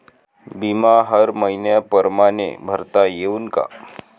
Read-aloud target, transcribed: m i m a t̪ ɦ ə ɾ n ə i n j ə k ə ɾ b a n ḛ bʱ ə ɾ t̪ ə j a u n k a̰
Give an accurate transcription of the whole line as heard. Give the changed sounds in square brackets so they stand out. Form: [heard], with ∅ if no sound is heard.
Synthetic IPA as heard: [b] i m a [∅] ɦ ə ɾ [m] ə i n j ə [p] ə ɾ [m] a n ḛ bʱ ə ɾ t̪ [a] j [e] u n k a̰